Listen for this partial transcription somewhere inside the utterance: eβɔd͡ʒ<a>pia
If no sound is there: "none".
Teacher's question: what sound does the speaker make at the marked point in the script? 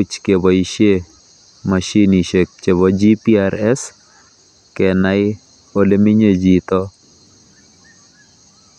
i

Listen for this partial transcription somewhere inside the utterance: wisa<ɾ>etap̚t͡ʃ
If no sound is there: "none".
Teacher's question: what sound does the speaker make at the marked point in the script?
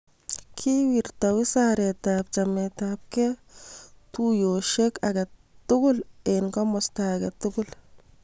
ɾ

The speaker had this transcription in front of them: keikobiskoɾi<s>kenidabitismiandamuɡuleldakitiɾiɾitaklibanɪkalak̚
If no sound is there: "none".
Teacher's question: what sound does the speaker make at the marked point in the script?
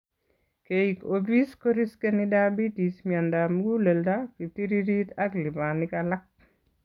s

